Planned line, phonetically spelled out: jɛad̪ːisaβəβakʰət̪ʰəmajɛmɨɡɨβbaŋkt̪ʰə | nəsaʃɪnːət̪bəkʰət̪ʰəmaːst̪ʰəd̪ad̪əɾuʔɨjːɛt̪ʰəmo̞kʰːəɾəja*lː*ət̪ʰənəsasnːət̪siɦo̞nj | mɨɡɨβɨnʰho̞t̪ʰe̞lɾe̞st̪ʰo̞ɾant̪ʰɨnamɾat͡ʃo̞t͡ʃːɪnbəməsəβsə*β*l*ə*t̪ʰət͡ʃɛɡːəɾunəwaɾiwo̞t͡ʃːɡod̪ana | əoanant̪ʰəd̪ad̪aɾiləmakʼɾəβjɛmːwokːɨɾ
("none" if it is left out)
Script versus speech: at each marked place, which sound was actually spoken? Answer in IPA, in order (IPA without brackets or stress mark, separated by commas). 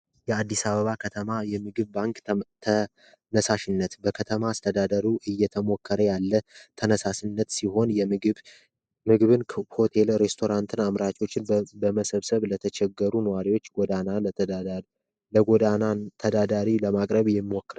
lː, β, ə